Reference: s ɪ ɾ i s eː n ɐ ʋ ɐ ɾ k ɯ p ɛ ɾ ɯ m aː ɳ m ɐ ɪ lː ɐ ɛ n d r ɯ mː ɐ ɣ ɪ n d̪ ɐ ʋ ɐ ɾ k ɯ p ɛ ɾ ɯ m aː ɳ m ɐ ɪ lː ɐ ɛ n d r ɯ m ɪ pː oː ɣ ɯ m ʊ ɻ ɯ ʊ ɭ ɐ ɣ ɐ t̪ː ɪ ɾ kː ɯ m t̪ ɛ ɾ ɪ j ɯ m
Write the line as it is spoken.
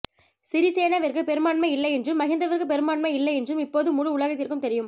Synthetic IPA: s ɪ ɾ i s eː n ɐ ʋ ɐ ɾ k ɯ p ɛ ɾ ɯ m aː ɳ m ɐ ɪ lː ɐ ɛ n d r ɯ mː ɐ ɣ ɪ n d̪ ɐ ʋ ɐ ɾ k ɯ p ɛ ɾ ɯ m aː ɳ m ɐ ɪ lː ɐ ɛ n d r ɯ m ɪ pː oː ð ɯ m ʊ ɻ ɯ ʊ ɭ ɐ ɣ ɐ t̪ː ɪ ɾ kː ɯ m t̪ ɛ ɾ ɪ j ɯ m

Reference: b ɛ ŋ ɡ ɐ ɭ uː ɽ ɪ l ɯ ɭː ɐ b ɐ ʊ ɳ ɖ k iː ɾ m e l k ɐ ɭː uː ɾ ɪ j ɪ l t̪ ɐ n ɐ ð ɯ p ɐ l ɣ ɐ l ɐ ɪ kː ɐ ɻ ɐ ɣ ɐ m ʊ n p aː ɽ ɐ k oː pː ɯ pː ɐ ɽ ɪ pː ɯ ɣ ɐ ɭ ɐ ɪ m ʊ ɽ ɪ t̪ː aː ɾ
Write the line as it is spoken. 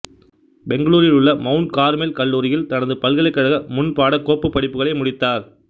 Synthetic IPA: b ɛ ŋ ɡ ɐ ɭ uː ɾ ɪ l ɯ ɭː ɐ m ɐ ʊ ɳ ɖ k aː ɾ m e l k ɐ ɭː uː ɾ ɪ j ɪ l t̪ ɐ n ɐ ð ɯ p ɐ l ɣ ɐ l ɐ ɪ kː ɐ ɻ ɐ ɣ ɐ m ʊ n p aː ɽ ɐ k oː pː ɯ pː ɐ ɽ ɪ pː ɯ ɣ ɐ ɭ ɐ ɪ m ʊ ɽ ɪ t̪ː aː ɾ

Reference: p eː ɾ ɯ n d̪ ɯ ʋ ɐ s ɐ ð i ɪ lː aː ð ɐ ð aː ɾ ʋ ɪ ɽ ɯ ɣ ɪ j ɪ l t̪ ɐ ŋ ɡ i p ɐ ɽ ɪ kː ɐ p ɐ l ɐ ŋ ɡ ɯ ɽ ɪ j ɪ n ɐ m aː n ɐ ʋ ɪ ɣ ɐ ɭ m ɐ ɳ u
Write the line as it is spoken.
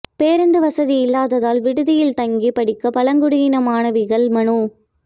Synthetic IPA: p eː ɾ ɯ n d̪ ɯ ʋ ɐ s ɐ ð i ɪ lː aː ð ɐ ð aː l ʋ ɪ ɽ ɯ ð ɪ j ɪ l t̪ ɐ ŋ ɡ i p ɐ ɽ ɪ kː ɐ p ɐ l ɐ ŋ ɡ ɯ ɽ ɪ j ɪ n ɐ m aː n ɐ ʋ ɪ ɣ ɐ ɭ m ɐ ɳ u

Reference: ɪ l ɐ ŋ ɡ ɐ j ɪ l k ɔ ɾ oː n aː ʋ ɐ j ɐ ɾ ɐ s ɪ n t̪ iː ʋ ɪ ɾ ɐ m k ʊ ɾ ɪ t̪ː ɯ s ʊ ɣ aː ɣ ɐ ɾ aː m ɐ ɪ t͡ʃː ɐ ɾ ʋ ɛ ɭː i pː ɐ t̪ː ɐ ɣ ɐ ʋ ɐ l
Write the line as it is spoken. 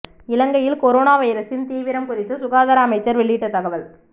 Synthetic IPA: ɪ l ɐ ŋ ɡ ɐ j ɪ l k ɔ ɾ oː n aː ʋ ɐ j ɐ ɾ ɐ s ɪ n t̪ iː ʋ ɪ ɾ ɐ m k ʊ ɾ ɪ t̪ː ɯ s ʊ ɣ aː ð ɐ ɾ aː m ɐ ɪ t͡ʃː ɐ ɾ ʋ ɛ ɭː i ʈː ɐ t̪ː ɐ ɣ ɐ ʋ ɐ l

